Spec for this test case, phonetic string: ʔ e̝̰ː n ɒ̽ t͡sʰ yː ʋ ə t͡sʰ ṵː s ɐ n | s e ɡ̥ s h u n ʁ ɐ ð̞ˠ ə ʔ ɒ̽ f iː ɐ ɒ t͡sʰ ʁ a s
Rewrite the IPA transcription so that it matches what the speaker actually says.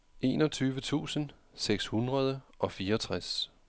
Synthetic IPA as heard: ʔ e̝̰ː n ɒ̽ t͡sʰ yː ʋ ə t͡sʰ ṵː s ə n | s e ɡ̥ s h u n ʁ ɐ ð̞ˠ ə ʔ ɒ̽ f iː ɐ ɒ t͡sʰ ʁ a s